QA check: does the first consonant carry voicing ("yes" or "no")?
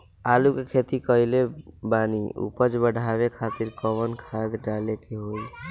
yes